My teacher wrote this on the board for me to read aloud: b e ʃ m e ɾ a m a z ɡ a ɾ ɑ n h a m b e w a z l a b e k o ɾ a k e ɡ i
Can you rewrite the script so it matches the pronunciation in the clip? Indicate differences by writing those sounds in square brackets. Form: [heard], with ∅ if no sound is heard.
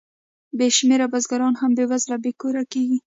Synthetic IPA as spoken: b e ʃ m e ɾ a [b] a z ɡ a ɾ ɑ n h a m b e w a z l a b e k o ɾ a k e ɡ i